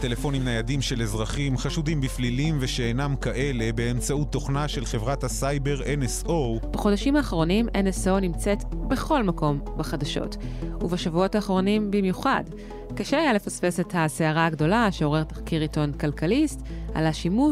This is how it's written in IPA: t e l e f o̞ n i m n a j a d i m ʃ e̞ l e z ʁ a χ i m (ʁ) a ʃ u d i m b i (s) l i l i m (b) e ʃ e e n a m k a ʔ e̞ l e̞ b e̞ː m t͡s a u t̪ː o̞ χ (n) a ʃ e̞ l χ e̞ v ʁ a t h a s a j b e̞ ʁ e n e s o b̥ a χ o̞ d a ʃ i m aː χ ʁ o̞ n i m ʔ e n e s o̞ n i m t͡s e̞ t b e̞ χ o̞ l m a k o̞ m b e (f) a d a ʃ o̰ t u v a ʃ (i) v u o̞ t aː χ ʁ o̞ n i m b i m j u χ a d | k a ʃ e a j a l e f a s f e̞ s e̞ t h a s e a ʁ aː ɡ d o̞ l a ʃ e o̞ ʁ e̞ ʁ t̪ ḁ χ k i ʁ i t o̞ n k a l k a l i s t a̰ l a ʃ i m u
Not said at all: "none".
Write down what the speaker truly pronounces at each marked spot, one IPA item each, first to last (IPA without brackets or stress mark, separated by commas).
χ, f, v, n, χ, a